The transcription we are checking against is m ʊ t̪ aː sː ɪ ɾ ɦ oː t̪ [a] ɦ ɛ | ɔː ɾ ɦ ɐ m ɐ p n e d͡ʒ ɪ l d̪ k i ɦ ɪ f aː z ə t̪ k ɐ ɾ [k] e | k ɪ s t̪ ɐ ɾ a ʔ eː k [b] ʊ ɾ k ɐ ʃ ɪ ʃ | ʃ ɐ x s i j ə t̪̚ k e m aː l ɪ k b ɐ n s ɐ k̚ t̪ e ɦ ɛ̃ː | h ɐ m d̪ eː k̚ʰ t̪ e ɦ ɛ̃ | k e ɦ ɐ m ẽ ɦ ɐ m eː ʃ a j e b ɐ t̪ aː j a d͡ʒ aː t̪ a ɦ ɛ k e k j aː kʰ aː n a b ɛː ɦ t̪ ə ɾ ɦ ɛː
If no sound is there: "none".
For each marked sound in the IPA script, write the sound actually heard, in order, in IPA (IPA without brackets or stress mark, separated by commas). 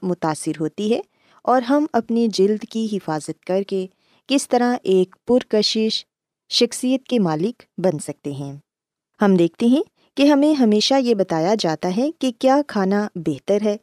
i, k, p